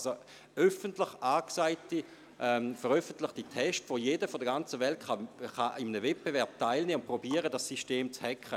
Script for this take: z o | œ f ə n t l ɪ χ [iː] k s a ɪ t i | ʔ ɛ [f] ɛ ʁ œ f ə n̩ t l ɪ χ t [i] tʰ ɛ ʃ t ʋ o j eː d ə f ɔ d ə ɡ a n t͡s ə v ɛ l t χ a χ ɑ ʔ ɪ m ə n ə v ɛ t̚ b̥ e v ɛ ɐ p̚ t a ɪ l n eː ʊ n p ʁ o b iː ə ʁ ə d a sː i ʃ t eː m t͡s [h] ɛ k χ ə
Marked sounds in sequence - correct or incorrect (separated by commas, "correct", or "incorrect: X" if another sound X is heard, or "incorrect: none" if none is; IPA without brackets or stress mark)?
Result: incorrect: aː, correct, correct, correct